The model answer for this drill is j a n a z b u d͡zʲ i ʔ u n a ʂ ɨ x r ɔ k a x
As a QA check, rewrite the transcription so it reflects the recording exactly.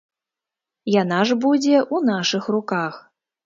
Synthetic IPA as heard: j a n a ʐ b u d͡zʲ ɛ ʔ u n a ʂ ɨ x r u k a x